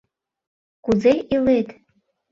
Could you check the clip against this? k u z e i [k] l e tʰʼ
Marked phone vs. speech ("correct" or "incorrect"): incorrect